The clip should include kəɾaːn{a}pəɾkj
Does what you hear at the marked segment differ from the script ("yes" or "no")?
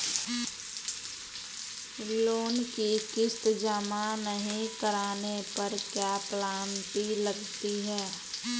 yes